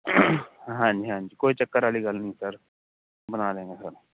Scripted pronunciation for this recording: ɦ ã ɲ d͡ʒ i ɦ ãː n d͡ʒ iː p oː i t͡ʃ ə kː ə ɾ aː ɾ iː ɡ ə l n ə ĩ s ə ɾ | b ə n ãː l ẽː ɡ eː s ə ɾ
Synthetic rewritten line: ɦ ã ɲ d͡ʒ i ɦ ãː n d͡ʒ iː k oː i t͡ʃ ə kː ə ɾ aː l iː ɡ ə l n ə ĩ s ə ɾ | b ə n aː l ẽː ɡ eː s ə ɾ